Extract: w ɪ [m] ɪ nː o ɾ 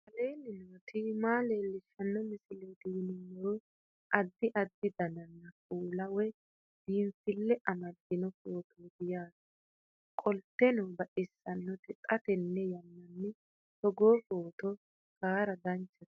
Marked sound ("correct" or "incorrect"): incorrect